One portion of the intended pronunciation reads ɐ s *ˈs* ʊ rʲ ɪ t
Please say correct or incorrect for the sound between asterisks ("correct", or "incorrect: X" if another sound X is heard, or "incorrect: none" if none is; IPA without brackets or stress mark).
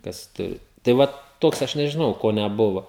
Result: incorrect: t